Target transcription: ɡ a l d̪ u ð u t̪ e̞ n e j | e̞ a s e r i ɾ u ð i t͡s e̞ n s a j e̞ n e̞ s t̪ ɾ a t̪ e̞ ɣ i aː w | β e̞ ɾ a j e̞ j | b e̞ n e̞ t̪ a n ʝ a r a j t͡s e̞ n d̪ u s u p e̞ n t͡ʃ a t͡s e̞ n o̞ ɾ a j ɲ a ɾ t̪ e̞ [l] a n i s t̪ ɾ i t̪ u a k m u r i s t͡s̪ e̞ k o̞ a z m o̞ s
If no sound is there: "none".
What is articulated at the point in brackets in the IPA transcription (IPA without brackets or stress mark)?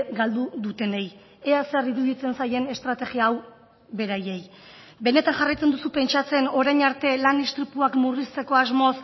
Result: l